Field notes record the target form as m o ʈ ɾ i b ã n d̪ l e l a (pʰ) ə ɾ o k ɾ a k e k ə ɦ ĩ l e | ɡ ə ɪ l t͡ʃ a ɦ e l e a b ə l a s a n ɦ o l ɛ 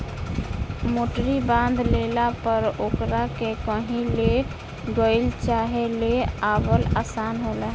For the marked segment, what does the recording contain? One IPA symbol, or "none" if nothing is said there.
p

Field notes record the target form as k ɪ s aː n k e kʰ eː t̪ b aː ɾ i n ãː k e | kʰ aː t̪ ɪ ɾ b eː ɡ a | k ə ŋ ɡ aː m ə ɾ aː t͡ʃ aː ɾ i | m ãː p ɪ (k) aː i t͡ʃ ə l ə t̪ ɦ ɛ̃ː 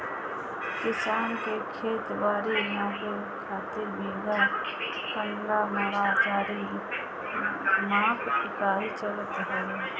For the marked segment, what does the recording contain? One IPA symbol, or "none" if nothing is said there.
k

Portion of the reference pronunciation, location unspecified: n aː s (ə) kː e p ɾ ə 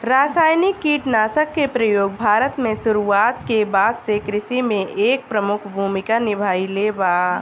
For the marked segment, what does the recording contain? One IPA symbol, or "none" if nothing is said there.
ə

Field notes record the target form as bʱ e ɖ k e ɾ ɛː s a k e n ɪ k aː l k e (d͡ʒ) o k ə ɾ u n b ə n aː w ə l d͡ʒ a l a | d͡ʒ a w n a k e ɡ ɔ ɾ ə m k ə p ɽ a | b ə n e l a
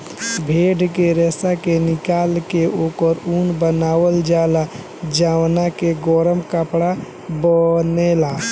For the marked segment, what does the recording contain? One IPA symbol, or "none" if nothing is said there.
none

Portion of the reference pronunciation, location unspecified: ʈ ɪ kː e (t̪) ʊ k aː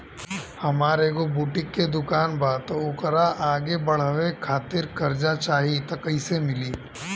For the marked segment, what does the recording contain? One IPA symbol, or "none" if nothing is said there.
d̪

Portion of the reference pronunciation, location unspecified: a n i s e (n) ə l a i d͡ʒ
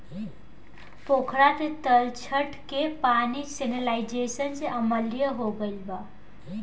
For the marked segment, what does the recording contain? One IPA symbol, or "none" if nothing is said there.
n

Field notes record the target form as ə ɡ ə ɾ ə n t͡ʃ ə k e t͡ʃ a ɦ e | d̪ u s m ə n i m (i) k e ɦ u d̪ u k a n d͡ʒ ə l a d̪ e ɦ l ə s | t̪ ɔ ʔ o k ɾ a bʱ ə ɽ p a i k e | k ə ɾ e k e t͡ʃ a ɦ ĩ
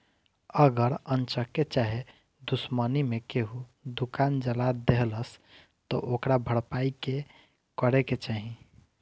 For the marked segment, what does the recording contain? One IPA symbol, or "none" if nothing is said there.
e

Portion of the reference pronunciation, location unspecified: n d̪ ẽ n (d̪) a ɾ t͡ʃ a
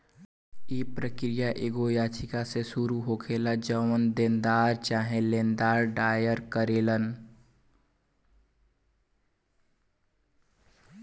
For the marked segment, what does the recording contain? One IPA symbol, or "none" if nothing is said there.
d̪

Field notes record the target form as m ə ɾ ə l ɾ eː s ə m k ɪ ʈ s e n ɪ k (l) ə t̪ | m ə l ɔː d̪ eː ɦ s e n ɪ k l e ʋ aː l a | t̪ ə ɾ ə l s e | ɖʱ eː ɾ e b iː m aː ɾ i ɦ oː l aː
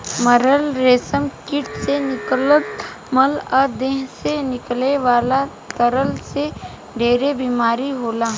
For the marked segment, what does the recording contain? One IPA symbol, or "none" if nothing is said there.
l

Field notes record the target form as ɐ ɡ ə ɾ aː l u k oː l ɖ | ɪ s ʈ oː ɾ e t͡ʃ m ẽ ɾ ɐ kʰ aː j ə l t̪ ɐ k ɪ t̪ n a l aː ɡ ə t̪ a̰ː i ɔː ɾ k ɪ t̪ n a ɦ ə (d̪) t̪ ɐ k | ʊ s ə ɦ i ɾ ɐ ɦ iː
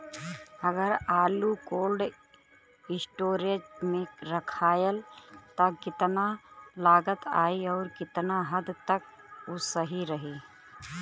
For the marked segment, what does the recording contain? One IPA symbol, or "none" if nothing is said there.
d̪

